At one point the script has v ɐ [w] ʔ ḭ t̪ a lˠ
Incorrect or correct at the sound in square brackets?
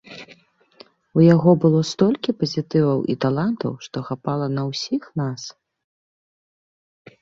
correct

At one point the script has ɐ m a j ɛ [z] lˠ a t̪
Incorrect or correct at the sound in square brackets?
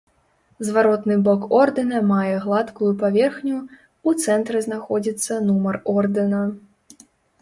incorrect: ɣ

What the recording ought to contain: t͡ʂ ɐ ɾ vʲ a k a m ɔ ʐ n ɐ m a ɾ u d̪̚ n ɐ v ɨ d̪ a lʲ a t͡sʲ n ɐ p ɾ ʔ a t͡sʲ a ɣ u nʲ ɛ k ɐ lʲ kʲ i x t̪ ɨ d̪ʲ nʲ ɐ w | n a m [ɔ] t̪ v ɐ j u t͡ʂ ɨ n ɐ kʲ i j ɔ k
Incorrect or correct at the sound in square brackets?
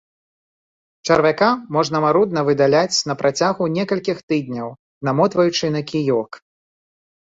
correct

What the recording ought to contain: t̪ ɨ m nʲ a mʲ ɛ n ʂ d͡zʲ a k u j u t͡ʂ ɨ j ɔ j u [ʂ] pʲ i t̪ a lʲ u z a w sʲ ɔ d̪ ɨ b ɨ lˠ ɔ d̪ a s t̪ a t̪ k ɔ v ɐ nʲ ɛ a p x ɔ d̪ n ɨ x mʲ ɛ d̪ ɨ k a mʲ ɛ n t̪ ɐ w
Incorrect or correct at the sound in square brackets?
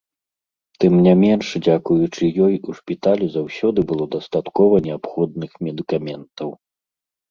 correct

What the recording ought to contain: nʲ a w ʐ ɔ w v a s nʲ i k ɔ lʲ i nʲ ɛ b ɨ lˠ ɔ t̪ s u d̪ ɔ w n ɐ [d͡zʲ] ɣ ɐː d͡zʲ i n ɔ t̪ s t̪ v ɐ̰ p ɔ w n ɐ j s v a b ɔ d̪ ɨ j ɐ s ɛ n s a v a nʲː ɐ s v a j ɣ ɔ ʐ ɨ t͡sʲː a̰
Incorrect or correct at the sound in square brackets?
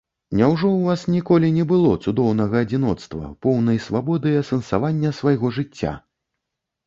incorrect: none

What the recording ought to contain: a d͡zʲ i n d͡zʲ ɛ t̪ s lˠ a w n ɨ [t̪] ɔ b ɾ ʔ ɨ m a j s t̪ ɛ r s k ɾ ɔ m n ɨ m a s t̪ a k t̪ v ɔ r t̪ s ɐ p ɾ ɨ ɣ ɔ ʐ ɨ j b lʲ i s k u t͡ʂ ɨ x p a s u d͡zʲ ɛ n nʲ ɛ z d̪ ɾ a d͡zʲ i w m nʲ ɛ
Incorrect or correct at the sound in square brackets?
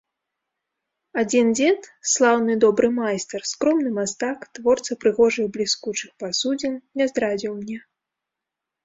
incorrect: d̪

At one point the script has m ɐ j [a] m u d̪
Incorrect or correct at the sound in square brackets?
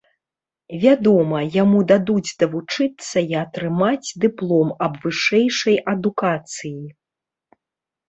correct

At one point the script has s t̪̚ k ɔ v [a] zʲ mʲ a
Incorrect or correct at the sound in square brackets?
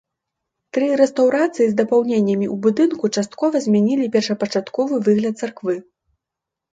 incorrect: ɐ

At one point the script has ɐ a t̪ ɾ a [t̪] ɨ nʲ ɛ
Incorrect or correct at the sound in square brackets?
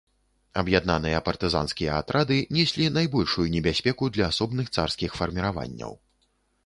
incorrect: d̪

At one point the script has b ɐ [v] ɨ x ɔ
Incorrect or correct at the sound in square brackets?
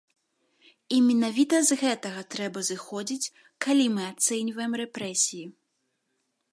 incorrect: z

